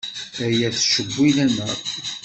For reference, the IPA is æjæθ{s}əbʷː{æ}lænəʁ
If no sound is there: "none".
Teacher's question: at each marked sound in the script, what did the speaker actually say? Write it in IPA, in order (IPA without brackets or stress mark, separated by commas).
ʃ, i